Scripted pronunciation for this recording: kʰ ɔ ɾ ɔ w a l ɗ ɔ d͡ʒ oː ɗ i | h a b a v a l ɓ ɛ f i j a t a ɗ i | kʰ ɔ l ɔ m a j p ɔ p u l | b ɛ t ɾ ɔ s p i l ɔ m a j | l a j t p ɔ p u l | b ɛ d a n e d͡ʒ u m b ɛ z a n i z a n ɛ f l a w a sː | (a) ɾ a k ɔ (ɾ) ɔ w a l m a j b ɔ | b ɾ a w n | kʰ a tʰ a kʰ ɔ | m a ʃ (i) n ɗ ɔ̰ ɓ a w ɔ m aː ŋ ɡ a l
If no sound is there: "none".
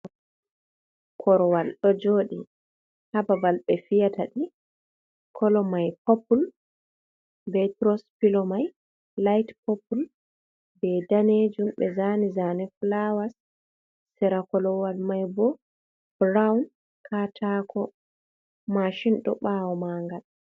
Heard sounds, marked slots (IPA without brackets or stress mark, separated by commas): ɛ, l, i